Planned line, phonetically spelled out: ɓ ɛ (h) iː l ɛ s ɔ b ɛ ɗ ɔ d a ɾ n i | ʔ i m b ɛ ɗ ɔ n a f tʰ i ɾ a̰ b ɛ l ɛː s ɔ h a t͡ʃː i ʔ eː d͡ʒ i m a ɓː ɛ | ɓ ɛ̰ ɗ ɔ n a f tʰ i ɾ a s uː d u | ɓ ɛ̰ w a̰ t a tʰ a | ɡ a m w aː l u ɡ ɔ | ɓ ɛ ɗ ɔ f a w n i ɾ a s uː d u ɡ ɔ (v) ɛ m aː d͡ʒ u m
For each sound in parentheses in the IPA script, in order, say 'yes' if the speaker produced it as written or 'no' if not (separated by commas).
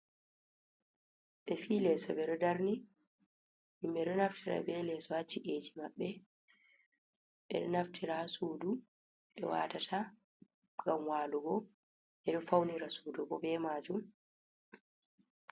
no, no